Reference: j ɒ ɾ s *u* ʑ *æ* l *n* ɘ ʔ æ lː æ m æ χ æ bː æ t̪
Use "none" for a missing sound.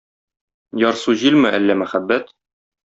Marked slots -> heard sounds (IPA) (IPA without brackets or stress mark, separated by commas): u, i, m